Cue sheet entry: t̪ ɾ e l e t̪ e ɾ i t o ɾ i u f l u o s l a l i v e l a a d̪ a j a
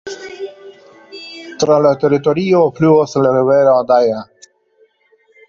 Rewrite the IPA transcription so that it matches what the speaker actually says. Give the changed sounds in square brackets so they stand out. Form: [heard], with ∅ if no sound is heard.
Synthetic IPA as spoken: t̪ ɾ [a] l [a] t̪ e ɾ i t o ɾ i [o] f l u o s l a [ɾ] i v e [ɾ] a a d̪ a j a